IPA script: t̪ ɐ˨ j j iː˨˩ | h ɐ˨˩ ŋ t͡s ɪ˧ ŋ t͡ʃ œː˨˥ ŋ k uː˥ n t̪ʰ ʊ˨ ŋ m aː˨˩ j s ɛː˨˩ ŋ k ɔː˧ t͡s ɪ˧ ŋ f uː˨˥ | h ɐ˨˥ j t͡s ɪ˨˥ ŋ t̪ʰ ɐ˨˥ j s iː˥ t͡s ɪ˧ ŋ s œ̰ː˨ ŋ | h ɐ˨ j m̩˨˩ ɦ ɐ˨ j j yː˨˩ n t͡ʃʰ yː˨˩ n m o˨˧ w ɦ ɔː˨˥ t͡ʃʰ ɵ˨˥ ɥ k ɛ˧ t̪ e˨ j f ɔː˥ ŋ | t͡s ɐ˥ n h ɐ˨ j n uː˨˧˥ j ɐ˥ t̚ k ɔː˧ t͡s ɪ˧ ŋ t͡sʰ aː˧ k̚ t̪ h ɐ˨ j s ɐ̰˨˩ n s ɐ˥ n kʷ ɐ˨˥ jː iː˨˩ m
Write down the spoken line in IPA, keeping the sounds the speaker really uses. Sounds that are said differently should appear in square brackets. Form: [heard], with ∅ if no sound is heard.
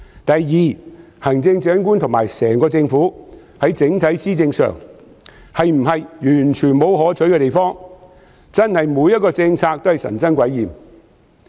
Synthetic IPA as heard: t̪ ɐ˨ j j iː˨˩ | h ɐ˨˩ ŋ t͡s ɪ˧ ŋ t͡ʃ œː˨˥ ŋ k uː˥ n t̪ʰ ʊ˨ ŋ m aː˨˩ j s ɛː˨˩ ŋ k ɔː˧ t͡s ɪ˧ ŋ f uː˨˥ | h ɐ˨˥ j t͡s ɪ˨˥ ŋ t̪ʰ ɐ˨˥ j s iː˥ t͡s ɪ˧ ŋ s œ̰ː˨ ŋ | h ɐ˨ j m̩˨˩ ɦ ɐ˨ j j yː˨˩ n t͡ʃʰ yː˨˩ n m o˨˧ w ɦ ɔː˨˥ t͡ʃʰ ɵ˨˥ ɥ k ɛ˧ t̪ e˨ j f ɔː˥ ŋ | t͡s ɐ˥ n h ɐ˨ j [m] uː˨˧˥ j ɐ˥ t̚ k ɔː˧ t͡s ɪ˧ ŋ t͡sʰ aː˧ k̚ t̪ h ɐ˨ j s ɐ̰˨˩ n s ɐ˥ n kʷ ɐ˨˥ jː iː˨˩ m